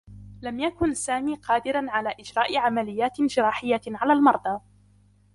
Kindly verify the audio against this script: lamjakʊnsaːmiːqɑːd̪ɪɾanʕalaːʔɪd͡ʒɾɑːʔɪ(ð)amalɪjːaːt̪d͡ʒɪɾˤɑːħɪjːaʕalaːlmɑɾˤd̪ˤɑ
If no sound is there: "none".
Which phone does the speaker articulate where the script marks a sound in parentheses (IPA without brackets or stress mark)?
ʕ